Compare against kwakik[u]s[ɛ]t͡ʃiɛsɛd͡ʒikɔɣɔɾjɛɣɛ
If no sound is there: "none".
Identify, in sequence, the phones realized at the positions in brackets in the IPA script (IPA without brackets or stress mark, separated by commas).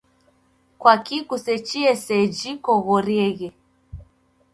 u, ɛ